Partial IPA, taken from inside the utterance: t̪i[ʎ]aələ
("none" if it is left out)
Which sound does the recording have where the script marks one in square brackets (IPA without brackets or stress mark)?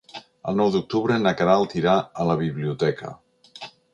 ɾ